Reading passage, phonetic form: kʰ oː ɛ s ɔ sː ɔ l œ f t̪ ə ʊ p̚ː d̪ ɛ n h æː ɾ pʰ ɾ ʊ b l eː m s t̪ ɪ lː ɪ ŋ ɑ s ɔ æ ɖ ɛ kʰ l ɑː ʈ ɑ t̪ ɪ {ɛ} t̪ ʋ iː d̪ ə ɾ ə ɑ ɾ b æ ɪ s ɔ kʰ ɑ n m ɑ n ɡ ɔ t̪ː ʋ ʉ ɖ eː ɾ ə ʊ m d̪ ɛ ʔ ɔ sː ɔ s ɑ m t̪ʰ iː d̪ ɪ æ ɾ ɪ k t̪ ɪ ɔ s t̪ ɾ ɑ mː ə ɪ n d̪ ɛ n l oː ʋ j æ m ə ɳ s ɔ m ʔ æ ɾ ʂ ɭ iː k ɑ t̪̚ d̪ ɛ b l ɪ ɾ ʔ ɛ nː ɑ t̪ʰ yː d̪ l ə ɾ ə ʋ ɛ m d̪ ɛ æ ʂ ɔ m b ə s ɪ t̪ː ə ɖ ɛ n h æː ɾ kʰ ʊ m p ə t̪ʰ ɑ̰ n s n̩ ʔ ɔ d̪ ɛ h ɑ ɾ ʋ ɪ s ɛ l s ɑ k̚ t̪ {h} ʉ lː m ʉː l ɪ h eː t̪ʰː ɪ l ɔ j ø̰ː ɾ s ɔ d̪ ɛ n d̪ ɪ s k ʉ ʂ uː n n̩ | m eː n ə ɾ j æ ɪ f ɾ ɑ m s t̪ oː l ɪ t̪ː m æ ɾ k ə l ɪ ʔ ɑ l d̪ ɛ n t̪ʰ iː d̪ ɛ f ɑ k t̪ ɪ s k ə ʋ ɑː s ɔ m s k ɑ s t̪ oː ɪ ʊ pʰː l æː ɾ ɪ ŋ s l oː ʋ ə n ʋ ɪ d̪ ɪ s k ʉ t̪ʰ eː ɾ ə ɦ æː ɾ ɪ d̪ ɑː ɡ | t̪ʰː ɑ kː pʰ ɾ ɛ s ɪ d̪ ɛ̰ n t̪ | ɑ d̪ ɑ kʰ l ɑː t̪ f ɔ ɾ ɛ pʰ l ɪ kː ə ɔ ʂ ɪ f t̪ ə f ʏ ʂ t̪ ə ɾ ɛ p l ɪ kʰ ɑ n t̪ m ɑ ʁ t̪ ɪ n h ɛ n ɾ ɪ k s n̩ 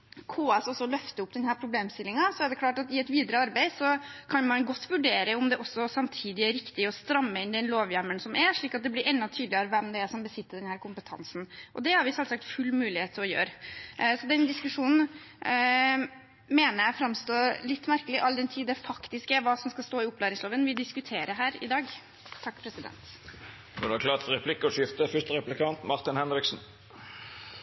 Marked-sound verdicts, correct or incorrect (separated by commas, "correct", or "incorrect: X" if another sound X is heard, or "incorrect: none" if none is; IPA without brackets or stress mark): correct, incorrect: f